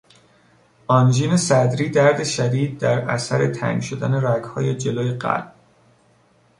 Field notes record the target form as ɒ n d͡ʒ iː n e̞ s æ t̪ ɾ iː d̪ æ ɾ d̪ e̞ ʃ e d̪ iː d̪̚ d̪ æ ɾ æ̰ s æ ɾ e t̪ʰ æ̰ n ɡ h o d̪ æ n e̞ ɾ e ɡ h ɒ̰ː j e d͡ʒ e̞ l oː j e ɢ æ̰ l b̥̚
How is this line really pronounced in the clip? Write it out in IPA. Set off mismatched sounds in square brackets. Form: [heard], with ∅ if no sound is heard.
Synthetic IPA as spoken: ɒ n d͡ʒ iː n e̞ s æ [d̪] ɾ iː d̪ æ ɾ d̪ e̞ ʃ [æ] d̪ iː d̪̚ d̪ æ ɾ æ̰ s æ ɾ e t̪ʰ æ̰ [ŋ] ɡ [ʃ] o d̪ æ n e̞ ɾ [æ] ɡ h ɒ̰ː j e d͡ʒ e̞ l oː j e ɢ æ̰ l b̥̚